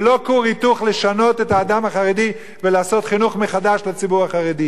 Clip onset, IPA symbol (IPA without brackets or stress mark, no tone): l